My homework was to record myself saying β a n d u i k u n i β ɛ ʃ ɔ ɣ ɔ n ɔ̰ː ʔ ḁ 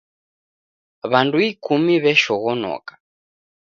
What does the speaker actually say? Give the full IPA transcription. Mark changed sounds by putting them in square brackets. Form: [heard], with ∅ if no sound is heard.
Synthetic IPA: β a n d u i k u [m] i β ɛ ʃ ɔ ɣ ɔ n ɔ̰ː [k] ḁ